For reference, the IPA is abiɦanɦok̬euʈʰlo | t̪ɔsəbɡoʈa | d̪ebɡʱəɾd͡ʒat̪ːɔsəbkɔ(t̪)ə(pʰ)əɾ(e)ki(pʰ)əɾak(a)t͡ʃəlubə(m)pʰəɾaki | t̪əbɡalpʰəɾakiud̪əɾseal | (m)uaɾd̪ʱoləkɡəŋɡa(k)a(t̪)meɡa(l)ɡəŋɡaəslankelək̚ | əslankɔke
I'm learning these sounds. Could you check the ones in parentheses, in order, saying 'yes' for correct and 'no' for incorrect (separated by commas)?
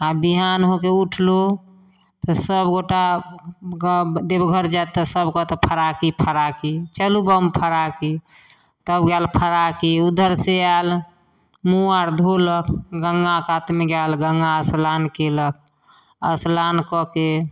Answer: yes, yes, no, yes, no, yes, yes, yes, yes, yes